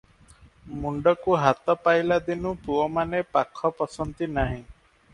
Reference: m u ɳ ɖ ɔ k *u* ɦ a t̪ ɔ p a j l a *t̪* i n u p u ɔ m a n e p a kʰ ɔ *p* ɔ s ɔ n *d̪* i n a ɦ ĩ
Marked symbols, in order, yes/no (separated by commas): yes, no, yes, no